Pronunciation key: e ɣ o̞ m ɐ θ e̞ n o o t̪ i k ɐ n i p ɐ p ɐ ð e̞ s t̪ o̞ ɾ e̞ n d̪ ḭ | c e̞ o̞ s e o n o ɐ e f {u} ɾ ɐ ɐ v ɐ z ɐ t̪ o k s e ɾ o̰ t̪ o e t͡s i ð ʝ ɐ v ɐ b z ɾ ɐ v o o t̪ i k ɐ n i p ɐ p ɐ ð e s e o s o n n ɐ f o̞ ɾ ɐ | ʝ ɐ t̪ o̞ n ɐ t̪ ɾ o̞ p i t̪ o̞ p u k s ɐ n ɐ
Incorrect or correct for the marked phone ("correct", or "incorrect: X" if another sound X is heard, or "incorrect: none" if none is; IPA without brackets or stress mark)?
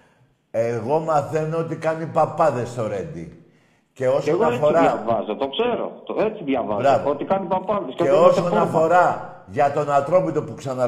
incorrect: o